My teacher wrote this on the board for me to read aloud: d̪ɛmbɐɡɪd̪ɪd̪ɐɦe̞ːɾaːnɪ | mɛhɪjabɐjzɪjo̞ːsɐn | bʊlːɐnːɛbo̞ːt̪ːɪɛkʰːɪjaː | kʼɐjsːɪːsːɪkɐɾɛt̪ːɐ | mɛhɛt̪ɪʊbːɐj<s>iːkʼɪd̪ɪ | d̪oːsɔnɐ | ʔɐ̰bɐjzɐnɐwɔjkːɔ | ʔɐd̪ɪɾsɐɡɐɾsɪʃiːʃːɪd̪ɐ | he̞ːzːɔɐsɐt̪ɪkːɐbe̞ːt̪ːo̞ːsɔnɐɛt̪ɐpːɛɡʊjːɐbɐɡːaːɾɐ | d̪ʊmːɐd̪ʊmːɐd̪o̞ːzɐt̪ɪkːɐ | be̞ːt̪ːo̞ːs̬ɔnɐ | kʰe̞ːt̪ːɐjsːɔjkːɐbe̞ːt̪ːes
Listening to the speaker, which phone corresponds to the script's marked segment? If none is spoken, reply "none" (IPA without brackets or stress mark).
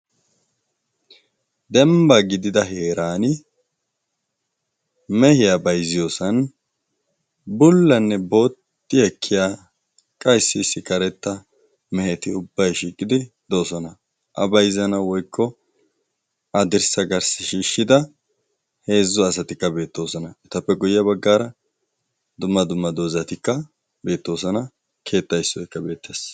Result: ʃ